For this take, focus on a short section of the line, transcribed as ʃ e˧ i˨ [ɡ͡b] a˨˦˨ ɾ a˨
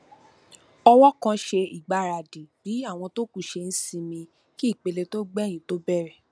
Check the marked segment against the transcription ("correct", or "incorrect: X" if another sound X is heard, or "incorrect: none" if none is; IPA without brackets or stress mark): correct